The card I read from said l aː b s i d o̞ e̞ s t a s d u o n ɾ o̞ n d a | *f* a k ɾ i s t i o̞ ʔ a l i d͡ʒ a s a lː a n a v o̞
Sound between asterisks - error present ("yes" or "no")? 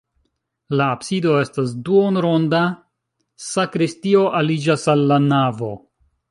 yes